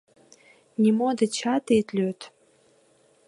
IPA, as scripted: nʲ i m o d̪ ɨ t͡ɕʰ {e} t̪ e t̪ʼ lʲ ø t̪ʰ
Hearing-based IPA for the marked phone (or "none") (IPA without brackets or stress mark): a